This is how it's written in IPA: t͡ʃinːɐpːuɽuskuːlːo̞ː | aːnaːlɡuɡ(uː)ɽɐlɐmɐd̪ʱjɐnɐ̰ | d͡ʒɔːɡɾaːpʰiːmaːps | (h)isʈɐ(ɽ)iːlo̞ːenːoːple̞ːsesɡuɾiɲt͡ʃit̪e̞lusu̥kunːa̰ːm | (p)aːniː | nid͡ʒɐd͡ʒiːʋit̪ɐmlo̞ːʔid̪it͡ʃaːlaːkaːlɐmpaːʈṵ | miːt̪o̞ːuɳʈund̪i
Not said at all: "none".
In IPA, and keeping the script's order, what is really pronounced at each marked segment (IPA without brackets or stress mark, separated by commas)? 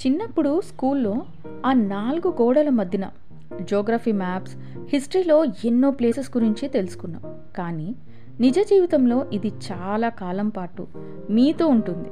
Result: ɔː, h, ɾ, k